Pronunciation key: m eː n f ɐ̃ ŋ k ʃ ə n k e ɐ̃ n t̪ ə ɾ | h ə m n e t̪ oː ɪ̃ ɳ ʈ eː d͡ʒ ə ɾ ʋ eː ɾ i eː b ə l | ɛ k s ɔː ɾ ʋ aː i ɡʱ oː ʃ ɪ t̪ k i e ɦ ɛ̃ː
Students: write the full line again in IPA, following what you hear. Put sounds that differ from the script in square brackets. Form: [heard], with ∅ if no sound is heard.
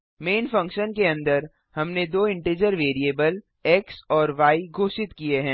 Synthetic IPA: m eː n f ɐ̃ ŋ k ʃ ə n k e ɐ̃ n [d̪] ə ɾ | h [ɐ] m n e [d̪] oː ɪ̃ ɳ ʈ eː d͡ʒ ə ɾ ʋ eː ɾ i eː b ə l | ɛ k s ɔː ɾ ʋ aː i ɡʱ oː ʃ ɪ t̪ k i e ɦ ɛ̃ː